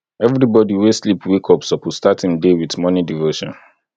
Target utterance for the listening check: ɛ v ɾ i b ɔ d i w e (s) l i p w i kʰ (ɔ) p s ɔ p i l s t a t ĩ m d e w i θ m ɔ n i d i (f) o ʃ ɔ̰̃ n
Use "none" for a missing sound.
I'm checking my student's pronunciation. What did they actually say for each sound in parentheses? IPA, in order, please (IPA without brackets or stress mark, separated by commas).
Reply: s, ɔ, v